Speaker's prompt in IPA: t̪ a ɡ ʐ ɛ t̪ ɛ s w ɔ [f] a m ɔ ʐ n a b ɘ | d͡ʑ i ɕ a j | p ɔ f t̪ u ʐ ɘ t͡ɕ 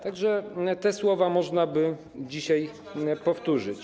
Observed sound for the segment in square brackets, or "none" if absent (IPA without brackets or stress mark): v